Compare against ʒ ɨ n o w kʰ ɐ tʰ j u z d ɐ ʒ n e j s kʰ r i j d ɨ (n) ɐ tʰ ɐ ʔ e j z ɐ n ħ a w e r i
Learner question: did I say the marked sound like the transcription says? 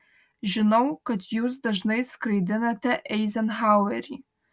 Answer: yes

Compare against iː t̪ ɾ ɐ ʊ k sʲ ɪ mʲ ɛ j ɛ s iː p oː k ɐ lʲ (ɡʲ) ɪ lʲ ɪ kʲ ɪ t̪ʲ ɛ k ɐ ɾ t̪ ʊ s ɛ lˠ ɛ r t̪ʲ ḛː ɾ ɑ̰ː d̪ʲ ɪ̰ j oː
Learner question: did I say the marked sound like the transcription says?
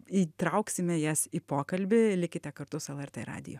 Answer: no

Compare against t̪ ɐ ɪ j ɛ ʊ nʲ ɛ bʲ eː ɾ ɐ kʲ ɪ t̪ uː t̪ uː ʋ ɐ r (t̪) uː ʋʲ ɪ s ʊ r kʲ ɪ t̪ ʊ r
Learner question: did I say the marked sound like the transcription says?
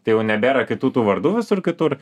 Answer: no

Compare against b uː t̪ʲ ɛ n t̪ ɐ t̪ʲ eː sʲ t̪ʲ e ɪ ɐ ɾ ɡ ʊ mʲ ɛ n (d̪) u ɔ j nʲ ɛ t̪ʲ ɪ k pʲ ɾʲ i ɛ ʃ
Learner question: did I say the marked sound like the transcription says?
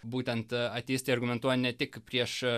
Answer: no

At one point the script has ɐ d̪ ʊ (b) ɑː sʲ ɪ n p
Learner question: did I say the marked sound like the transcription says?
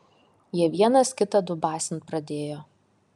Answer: yes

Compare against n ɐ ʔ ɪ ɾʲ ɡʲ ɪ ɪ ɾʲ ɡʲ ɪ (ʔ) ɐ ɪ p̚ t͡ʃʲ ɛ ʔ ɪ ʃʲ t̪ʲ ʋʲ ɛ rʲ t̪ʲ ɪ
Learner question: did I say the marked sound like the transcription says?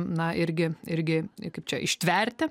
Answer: no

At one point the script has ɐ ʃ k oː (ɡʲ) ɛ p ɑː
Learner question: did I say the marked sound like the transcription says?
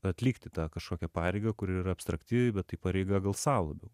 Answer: no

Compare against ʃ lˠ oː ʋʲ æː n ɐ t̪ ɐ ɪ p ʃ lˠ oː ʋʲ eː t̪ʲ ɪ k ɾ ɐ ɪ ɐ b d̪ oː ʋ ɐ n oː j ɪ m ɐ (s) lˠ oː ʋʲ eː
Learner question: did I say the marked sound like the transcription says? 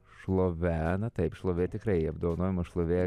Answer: no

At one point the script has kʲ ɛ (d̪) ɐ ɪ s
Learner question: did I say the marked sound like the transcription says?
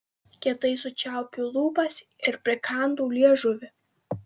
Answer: no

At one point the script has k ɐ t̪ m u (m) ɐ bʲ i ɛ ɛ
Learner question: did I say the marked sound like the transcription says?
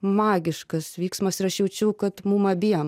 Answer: yes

